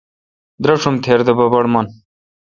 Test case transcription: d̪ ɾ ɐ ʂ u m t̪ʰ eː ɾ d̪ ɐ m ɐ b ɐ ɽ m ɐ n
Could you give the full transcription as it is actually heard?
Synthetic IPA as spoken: d̪ ɾ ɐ ʂ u m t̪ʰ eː ɾ d̪ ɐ b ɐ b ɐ ɽ m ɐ n